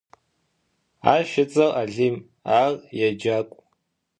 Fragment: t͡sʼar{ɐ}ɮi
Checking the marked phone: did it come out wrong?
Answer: yes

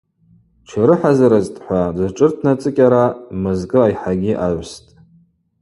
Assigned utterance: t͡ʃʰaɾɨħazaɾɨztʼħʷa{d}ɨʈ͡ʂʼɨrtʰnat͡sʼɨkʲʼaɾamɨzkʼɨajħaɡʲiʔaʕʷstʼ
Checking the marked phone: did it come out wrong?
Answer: no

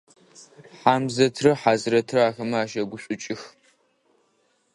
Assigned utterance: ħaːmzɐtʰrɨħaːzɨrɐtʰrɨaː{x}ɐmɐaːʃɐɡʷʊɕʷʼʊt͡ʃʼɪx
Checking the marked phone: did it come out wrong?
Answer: no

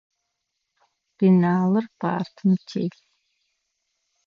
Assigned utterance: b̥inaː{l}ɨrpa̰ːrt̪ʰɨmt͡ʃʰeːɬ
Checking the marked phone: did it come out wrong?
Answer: no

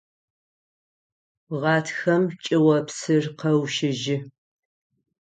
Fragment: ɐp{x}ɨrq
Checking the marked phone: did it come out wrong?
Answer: yes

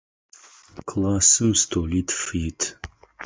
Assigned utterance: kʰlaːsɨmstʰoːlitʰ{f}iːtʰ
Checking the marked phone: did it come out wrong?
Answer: no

